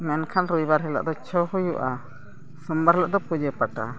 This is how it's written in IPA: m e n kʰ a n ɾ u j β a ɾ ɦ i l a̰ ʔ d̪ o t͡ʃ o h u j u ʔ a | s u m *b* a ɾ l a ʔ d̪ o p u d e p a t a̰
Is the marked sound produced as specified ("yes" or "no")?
yes